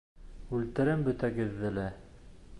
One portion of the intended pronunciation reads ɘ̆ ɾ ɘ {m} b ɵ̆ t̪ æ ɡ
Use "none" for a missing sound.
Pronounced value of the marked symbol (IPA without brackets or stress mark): m